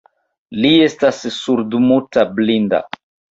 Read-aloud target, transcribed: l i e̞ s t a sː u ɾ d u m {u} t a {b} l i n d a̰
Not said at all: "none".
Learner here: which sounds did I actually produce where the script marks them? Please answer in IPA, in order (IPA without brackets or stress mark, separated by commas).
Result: u, b